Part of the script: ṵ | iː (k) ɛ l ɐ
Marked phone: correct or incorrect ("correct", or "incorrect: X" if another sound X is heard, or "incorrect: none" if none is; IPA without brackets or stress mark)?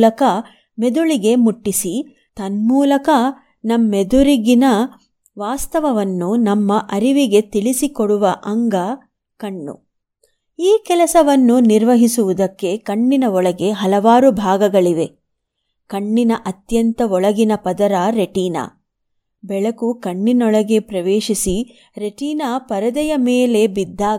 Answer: correct